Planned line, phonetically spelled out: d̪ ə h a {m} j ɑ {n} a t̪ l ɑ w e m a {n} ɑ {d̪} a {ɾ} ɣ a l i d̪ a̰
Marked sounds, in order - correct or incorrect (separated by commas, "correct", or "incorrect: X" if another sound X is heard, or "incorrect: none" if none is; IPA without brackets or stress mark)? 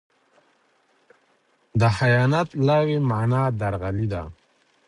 incorrect: none, correct, correct, correct, correct